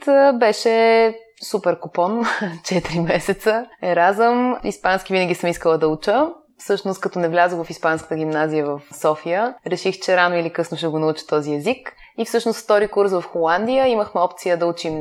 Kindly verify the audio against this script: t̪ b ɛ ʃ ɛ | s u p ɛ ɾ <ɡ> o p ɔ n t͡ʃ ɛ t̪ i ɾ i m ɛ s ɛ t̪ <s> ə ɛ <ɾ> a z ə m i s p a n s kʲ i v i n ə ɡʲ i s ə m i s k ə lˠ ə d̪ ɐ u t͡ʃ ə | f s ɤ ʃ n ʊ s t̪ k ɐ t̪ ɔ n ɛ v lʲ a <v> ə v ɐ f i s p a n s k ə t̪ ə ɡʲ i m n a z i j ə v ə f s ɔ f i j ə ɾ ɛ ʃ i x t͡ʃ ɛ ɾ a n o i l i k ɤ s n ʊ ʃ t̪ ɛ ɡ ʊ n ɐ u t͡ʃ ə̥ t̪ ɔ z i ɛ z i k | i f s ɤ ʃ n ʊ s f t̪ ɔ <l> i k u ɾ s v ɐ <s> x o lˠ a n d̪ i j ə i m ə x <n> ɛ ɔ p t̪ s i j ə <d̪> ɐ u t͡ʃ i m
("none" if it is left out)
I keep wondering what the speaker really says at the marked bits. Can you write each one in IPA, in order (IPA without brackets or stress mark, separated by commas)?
k, s, ɾ, z, ɾ, f, m, d̪